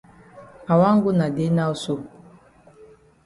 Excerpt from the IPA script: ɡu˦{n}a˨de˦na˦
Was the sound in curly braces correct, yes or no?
yes